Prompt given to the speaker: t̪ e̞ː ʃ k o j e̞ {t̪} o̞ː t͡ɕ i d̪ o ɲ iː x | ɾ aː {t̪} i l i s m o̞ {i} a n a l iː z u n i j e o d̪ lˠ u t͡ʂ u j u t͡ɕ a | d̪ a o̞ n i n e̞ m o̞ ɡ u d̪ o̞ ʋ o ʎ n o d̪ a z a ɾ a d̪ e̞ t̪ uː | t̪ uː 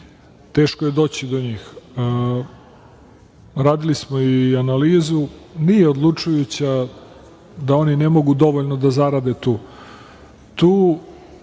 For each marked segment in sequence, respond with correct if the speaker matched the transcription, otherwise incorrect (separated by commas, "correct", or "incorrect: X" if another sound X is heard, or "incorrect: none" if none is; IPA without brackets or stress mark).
incorrect: d̪, incorrect: d̪, correct